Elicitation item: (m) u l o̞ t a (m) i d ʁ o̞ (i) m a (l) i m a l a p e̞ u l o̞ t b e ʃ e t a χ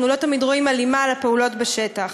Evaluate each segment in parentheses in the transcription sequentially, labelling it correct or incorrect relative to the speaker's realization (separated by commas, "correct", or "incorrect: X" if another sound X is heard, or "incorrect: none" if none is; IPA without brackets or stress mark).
incorrect: n, correct, correct, correct